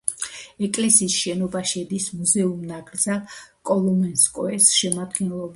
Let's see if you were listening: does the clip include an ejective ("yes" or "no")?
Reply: yes